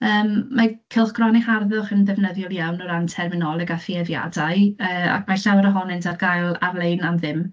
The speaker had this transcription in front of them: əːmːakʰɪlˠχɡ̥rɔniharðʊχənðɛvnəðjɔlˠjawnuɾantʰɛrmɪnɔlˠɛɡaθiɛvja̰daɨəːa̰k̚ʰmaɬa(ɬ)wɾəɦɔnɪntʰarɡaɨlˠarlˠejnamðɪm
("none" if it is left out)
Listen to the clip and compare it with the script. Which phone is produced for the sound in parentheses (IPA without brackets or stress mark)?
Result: none